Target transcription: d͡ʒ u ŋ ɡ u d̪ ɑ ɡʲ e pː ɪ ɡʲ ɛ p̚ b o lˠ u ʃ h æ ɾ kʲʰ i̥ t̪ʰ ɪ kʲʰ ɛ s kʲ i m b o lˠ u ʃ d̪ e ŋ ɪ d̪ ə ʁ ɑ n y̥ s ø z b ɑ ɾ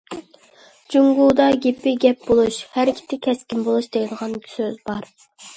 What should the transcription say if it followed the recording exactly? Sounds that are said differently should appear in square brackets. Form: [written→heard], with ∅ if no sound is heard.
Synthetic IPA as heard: d͡ʒ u ŋ ɡ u d̪ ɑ ɡʲ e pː ɪ ɡʲ ɛ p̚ b o lˠ u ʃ h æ ɾ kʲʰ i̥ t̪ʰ ɪ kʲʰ ɛ s kʲ i m b o lˠ u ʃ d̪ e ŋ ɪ d̪ ə ʁ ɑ n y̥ s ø z b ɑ ɾ